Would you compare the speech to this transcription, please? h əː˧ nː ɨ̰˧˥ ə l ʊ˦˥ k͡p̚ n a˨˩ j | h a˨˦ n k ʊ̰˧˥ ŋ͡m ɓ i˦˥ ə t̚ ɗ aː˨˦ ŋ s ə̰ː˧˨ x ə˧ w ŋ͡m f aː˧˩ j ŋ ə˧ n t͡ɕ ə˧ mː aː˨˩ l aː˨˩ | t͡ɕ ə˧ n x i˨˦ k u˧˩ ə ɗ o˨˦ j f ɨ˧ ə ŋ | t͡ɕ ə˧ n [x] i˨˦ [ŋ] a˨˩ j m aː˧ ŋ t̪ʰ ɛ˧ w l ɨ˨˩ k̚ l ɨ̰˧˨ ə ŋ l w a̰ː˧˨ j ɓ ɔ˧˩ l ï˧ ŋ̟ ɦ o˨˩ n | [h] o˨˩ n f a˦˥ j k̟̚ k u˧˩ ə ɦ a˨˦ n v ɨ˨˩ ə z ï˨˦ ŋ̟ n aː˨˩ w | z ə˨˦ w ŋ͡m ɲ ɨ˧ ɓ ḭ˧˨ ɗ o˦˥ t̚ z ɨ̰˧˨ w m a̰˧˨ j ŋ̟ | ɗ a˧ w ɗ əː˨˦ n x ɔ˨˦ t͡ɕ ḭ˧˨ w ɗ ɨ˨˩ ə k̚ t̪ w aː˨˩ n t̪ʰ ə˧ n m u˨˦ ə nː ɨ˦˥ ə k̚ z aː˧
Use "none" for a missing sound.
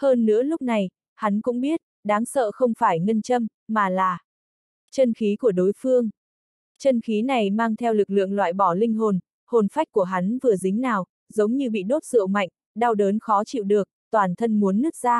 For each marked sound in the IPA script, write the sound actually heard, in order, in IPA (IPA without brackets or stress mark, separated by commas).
x, n, h